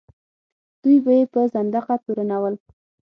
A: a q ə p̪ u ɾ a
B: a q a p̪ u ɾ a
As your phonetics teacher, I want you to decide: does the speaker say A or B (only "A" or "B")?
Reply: B